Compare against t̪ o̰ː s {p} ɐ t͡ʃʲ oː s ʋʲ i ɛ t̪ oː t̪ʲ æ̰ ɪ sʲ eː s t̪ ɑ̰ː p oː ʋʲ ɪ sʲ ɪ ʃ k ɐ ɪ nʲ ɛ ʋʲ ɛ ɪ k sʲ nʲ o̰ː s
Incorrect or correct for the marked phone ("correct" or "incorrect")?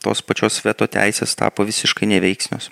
correct